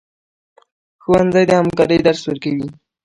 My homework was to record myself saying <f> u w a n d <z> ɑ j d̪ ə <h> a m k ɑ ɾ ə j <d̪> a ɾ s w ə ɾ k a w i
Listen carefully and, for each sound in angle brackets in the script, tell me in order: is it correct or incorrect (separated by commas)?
incorrect, correct, correct, correct